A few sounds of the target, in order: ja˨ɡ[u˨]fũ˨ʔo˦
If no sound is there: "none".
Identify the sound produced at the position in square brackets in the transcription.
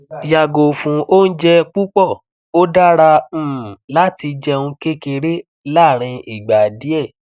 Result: o˨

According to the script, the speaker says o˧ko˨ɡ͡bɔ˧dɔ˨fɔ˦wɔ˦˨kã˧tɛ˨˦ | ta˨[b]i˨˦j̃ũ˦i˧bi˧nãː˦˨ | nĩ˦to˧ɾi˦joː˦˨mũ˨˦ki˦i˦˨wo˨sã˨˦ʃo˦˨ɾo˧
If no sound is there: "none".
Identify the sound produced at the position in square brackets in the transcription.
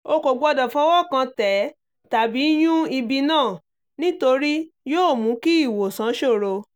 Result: b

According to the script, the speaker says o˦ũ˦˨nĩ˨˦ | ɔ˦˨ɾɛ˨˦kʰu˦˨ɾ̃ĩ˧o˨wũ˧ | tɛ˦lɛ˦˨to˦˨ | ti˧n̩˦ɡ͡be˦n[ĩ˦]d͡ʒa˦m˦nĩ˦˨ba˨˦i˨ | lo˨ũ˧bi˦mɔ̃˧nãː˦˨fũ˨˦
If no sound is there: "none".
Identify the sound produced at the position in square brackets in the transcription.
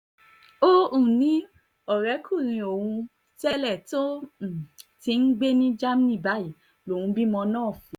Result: ĩ˦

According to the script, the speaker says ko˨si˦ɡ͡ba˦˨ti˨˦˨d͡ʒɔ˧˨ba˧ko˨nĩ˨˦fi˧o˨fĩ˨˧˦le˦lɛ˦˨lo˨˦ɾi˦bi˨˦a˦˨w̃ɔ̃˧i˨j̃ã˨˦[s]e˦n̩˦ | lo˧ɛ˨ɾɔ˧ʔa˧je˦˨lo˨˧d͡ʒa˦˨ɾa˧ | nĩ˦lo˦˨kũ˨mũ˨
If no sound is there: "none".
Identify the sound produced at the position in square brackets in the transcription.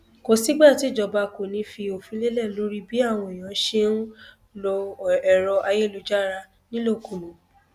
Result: ʃ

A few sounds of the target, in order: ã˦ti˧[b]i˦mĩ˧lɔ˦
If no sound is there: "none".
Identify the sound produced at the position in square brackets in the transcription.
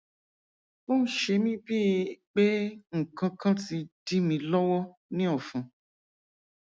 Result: d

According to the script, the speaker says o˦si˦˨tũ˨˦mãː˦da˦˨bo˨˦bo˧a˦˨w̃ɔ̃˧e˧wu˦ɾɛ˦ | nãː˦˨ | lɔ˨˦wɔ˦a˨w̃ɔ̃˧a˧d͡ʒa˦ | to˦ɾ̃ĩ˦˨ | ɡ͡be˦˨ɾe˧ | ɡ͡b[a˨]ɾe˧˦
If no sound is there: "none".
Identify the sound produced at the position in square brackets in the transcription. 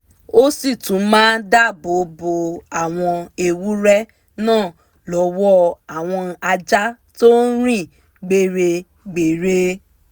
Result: e˨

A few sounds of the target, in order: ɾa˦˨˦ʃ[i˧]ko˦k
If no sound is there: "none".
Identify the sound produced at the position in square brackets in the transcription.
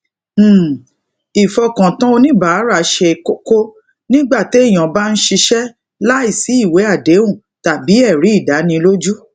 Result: e˧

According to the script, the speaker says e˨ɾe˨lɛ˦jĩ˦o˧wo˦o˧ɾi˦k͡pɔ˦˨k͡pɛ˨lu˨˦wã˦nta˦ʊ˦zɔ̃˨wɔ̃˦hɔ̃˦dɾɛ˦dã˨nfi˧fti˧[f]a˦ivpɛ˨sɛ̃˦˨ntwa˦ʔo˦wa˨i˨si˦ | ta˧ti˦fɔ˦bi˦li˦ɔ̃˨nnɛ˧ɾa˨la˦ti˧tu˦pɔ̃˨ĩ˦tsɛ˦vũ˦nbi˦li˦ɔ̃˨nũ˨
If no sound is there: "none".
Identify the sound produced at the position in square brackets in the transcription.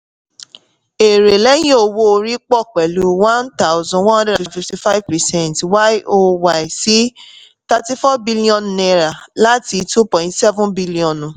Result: f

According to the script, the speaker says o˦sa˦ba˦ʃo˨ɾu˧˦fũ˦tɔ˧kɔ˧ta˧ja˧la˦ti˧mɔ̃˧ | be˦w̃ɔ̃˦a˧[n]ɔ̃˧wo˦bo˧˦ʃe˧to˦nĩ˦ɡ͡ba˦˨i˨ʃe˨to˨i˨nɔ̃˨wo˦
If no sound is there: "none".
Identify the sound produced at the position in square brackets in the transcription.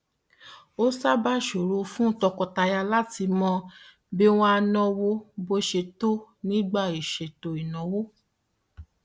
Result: n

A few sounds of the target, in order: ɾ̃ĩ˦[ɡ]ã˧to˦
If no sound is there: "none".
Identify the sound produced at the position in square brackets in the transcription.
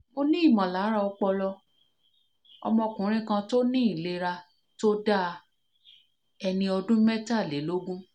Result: k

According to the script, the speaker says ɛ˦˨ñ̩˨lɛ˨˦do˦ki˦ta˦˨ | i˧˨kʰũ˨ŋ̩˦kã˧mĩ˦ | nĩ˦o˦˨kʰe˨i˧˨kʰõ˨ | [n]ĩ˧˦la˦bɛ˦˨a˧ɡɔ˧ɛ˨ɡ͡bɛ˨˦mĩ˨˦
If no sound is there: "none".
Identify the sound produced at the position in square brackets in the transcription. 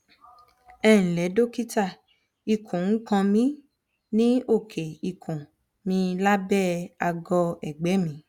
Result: m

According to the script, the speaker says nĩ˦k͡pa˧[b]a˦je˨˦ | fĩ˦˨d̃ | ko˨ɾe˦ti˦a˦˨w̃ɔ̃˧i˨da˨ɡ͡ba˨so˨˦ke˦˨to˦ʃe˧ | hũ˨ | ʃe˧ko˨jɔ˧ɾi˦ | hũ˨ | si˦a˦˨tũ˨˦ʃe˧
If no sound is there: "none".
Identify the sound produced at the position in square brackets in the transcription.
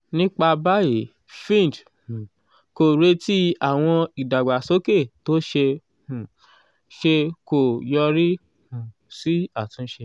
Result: b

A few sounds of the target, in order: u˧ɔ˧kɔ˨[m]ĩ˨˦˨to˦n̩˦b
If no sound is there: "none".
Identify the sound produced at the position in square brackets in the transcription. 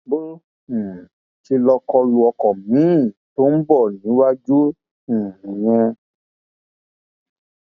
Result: m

